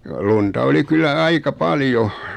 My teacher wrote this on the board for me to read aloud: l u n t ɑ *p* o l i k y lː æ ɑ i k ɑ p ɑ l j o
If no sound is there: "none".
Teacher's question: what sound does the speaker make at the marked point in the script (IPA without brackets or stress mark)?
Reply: none